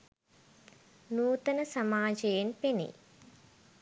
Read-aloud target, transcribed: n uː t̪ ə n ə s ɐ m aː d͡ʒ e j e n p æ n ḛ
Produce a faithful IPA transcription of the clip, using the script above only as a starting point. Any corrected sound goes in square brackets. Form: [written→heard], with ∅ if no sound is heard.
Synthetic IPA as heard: n uː t̪ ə n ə s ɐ m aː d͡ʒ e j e n p [æ→e] n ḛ